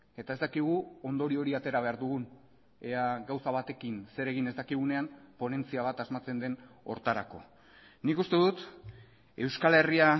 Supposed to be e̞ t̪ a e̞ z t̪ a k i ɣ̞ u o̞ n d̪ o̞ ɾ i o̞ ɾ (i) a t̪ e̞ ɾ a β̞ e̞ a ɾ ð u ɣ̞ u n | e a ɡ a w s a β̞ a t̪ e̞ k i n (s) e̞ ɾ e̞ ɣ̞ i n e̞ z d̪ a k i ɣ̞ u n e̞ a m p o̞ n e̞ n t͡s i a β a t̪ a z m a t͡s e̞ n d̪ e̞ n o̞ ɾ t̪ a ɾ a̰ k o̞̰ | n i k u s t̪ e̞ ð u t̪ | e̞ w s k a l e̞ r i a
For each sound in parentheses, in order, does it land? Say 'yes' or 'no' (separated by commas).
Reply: yes, yes